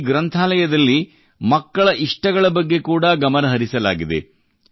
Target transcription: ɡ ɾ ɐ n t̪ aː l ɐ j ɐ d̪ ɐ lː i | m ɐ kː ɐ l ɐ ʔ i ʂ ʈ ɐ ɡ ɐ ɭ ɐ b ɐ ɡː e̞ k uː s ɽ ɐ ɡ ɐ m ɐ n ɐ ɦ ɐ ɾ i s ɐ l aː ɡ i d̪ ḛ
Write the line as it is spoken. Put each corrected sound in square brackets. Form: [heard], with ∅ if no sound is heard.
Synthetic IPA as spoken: ɡ ɾ ɐ n [t̪ʰ] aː l ɐ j ɐ d̪ ɐ lː i | m ɐ kː ɐ [ɭ] ɐ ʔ i ʂ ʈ ɐ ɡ ɐ ɭ ɐ b ɐ ɡː e̞ k uː [∅] ɽ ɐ ɡ ɐ m ɐ n ɐ ɦ ɐ ɾ i s ɐ l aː ɡ i d̪ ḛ